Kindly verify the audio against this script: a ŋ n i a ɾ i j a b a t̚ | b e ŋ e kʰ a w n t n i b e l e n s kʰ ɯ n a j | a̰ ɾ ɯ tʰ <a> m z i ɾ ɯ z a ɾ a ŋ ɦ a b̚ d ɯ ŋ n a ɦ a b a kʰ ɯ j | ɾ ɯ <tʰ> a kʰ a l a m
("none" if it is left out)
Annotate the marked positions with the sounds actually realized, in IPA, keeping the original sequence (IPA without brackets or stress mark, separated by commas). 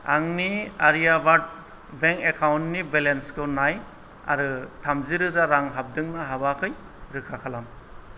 a, kʰ